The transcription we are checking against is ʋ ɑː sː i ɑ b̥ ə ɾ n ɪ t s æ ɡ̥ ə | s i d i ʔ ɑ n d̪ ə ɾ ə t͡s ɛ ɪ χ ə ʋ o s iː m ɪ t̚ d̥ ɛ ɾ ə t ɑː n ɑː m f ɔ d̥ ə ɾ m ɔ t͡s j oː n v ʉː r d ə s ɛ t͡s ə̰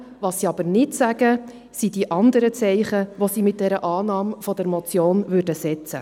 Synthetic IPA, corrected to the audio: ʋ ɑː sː i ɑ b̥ ə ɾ n ɪ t s æ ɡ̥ ə | s i d i ʔ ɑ n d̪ ə ɾ ə t͡s ɛ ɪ χ ə ʋ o s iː m ɪ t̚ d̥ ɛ ɾ ə ʔ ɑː n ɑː m f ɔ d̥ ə ɾ m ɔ t͡s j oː n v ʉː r d ə s ɛ t͡s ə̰